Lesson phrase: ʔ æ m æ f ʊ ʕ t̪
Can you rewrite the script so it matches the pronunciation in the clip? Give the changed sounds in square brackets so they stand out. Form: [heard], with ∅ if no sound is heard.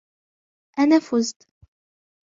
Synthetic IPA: ʔ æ [n] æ f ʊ [z] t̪